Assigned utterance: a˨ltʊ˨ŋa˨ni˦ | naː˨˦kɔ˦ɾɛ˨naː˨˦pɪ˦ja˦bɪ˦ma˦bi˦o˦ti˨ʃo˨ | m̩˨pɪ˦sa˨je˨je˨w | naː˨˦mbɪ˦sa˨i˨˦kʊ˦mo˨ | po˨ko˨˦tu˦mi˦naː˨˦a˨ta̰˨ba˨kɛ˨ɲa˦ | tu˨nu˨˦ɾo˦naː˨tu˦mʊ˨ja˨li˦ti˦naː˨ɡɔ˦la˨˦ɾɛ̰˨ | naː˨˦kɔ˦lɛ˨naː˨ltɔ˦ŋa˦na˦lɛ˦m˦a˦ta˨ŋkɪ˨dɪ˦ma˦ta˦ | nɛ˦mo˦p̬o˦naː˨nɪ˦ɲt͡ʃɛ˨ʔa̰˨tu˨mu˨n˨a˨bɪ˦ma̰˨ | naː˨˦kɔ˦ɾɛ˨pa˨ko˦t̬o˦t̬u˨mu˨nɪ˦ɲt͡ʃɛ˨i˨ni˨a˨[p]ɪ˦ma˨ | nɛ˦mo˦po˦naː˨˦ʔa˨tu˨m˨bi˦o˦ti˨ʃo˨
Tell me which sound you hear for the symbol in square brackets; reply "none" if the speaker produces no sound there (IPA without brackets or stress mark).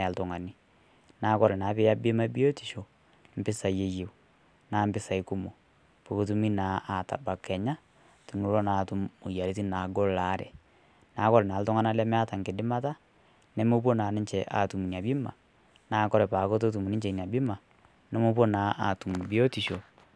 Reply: b